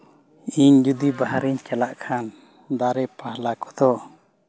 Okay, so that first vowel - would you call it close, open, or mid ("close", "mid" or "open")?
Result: close